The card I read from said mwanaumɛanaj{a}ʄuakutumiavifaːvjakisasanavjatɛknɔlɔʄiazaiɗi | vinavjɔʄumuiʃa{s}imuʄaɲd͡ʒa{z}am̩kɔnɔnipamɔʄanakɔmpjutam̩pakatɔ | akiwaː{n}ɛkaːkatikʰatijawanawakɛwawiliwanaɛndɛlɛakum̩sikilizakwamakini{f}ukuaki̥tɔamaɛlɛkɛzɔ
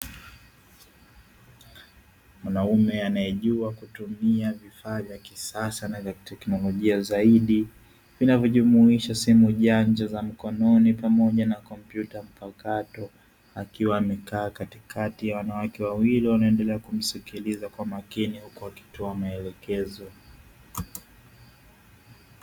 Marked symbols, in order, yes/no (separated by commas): no, yes, yes, no, no